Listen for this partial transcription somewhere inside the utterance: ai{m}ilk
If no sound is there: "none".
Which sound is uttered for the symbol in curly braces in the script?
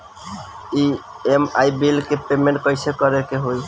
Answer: b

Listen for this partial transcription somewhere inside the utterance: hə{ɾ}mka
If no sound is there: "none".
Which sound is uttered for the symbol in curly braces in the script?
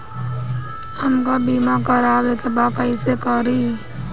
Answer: none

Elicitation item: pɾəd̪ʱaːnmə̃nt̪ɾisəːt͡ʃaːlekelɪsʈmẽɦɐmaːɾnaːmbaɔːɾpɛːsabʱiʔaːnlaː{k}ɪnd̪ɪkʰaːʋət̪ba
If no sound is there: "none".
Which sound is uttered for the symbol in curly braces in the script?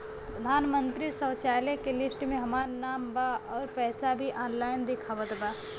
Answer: none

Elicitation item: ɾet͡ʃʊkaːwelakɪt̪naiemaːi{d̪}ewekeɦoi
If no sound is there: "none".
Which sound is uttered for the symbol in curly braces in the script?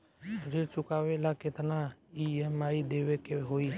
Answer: d̪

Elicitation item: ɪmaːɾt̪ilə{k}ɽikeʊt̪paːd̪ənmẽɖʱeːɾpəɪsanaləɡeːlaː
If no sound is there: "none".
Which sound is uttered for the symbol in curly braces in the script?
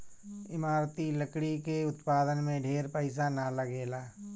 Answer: k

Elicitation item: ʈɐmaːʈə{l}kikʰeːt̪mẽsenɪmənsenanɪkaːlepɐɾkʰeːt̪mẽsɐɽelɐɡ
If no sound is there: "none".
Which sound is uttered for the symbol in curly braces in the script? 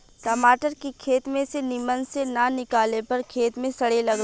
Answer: ɾ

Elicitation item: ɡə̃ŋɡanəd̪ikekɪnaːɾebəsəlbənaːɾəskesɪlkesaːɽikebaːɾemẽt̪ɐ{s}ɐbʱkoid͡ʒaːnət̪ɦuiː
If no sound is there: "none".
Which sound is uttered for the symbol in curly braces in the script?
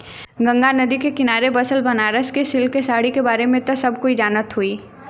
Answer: s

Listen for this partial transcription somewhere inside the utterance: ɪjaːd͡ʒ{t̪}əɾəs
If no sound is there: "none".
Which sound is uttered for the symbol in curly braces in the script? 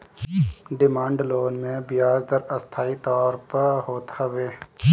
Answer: d̪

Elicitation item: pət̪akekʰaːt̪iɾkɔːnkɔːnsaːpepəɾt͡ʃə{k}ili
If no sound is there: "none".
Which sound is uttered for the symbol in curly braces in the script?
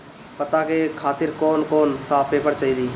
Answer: none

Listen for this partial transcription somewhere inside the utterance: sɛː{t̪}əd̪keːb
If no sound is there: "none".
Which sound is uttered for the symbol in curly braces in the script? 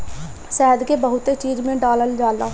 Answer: none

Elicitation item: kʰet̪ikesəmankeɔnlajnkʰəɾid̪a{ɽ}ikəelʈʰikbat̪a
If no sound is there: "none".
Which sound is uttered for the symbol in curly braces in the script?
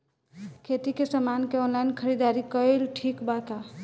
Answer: ɾ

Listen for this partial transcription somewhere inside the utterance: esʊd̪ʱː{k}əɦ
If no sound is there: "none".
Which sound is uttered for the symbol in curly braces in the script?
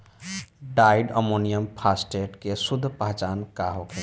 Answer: p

